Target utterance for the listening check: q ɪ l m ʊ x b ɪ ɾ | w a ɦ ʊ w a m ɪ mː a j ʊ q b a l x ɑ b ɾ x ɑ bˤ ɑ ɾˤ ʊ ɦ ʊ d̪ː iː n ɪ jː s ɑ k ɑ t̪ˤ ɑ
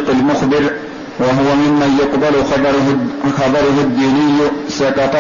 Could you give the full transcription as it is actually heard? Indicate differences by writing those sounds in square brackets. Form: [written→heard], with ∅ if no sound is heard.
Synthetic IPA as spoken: q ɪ l m ʊ x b ɪ ɾ | w a ɦ ʊ w a m ɪ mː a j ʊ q b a l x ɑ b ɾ x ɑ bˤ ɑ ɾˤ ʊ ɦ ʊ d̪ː iː n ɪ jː s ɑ k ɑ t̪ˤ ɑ